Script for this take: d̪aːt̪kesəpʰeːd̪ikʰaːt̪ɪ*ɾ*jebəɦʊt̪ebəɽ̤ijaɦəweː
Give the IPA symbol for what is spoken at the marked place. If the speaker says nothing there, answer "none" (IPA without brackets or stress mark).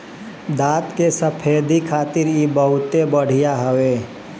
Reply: ɾ